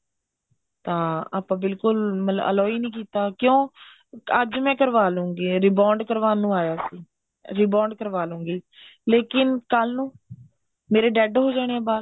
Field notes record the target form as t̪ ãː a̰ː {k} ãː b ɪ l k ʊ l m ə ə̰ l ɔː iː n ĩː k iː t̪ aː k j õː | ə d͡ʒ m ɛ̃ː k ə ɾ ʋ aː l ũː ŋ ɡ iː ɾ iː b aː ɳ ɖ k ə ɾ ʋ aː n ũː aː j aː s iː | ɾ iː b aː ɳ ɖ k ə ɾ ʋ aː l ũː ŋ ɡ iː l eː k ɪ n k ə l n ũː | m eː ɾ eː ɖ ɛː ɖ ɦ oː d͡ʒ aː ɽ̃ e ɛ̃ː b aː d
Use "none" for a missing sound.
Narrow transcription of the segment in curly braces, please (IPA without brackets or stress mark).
p